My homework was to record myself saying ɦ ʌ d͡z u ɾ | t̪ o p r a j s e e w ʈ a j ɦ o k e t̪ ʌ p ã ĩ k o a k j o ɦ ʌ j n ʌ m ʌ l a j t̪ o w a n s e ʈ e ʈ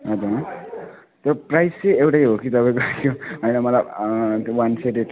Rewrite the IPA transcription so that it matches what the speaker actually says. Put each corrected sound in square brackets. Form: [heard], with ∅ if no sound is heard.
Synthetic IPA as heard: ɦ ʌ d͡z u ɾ | t̪ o p r a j s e e w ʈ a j ɦ o k [i] t̪ ʌ p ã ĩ k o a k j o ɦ ʌ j n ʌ m ʌ l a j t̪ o w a n s e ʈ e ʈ